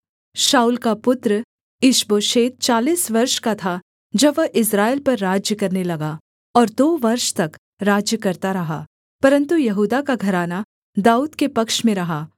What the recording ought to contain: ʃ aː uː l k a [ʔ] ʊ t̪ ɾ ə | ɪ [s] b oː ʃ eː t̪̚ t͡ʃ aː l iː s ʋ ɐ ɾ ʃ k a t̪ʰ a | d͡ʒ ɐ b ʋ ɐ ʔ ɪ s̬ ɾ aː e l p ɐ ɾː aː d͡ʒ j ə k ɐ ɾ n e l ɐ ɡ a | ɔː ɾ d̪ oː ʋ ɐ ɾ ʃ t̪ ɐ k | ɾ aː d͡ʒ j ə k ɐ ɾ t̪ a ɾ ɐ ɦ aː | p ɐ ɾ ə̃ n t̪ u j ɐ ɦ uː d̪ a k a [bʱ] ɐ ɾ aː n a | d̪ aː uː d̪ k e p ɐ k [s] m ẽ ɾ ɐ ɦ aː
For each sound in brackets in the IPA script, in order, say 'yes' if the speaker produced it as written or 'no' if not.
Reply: no, no, no, no

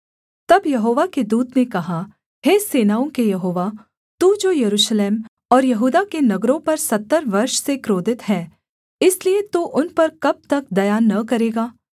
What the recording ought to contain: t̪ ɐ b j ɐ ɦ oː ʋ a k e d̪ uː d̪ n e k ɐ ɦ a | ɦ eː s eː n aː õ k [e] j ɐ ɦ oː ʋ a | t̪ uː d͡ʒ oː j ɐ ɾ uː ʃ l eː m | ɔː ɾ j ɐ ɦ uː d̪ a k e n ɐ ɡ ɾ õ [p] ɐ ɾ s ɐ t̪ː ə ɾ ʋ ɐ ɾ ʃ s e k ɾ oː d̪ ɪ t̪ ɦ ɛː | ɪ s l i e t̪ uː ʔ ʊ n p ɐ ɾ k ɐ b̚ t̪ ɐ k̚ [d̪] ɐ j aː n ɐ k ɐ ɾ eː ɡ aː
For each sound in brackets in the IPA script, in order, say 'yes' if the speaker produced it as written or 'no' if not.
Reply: yes, yes, yes

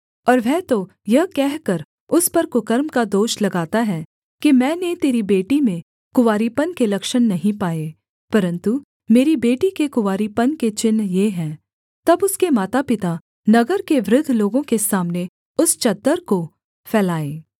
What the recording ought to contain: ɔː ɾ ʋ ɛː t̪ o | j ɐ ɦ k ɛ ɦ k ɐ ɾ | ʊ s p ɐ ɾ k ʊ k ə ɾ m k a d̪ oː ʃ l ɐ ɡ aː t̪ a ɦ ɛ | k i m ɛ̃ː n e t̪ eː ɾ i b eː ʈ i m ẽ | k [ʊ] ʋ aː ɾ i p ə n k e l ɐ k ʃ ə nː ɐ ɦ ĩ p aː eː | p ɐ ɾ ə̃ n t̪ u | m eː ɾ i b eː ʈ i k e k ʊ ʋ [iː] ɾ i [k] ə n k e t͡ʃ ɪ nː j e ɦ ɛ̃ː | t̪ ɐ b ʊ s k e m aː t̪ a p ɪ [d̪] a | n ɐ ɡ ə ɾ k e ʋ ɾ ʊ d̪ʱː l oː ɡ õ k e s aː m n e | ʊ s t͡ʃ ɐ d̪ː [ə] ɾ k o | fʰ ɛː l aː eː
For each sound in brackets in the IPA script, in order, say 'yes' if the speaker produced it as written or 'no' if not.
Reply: yes, no, no, no, yes

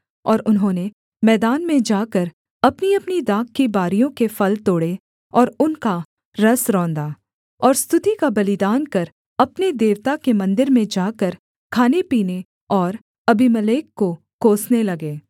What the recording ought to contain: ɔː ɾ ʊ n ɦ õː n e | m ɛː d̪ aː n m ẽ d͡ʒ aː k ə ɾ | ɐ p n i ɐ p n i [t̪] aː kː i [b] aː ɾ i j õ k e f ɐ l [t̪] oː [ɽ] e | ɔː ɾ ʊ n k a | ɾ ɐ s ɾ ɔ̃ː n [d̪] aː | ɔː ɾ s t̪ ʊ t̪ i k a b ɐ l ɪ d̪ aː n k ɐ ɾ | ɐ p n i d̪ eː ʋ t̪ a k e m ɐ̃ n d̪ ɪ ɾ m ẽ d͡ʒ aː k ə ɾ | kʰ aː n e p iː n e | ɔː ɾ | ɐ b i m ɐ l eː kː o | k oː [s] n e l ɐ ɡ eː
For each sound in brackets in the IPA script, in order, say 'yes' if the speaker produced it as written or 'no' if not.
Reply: no, yes, yes, yes, yes, yes

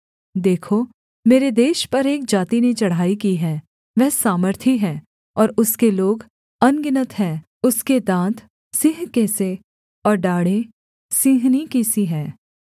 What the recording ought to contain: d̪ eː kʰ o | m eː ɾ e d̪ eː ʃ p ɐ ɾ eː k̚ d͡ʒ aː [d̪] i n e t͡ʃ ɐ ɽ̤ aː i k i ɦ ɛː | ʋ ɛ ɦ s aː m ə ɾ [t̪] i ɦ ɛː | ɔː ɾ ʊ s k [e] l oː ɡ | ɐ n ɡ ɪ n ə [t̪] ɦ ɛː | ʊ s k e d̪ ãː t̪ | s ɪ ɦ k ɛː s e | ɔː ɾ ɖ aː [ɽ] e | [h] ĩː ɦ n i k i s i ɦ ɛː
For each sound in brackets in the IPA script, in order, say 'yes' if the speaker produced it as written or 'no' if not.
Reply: no, no, yes, yes, yes, no

